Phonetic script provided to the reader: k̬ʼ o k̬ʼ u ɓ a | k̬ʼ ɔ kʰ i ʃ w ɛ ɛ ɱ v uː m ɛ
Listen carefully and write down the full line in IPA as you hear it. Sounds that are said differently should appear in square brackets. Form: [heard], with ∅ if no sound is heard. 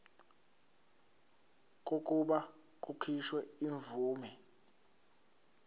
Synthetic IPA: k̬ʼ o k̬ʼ u ɓ a | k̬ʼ [u] kʰ i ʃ w ɛ [i] ɱ v uː m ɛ